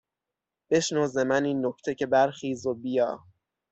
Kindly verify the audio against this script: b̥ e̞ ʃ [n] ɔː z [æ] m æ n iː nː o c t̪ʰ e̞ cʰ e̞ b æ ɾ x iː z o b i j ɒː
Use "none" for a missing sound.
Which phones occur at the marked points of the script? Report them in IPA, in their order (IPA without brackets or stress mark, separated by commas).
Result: n, e